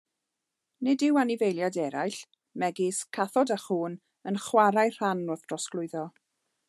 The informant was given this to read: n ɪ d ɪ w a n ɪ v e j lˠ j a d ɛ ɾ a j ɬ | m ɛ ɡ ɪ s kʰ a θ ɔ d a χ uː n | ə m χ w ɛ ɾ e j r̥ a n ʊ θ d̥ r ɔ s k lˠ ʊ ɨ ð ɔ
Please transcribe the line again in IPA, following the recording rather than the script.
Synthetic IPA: n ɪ d ɪ w a n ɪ v e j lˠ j a d ɛ ɾ a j ɬ | m ɛ ɡ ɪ s kʰ a θ ɔ d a χ uː n | ə n χ w a ɾ a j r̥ a n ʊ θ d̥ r ɔ s k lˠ ʊ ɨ ð ɔ